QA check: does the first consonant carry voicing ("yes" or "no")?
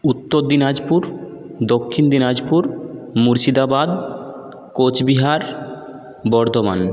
no